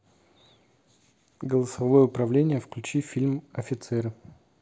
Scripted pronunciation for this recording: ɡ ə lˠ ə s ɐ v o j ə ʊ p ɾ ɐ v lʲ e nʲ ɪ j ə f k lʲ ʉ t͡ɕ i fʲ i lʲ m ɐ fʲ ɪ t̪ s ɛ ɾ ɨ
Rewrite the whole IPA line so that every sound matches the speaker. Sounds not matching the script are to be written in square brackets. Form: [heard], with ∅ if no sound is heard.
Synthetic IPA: ɡ ə lˠ ə s ɐ v o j ə ʊ p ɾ ɐ v lʲ e nʲ ɪ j ə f k lʲ ʉ t͡ɕ i fʲ i lʲ m ɐ fʲ ɪ t̪ s ɛ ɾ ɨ